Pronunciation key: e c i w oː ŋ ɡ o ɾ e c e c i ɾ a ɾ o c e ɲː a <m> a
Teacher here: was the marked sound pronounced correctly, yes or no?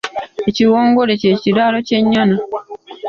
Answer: no